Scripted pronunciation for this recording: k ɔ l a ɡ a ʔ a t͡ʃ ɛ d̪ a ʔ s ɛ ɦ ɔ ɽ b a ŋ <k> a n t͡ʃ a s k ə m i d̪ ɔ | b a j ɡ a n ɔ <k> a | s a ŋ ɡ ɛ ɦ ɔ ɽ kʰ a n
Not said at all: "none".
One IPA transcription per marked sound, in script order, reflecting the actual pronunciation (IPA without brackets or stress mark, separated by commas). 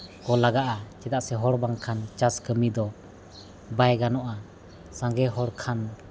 kʰ, ʔ